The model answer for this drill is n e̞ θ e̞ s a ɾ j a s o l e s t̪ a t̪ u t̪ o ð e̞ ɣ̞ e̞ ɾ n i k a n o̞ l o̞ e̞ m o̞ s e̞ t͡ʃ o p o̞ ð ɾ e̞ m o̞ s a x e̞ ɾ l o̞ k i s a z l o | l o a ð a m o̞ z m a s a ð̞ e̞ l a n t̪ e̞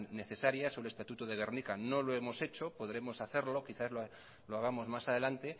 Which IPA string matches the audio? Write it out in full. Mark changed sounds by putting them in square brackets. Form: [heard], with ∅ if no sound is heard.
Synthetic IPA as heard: n e̞ θ e̞ s a ɾ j a s o l e s t̪ a t̪ u t̪ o ð e̞ ɣ̞ e̞ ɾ n i k a n o̞ l o̞ e̞ m o̞ s e̞ t͡ʃ o p o̞ ð ɾ e̞ m o̞ s a [θ] e̞ ɾ l o̞ k i [θ] a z l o | l o a [ɣ] a m o̞ z m a s a ð̞ e̞ l a n t̪ e̞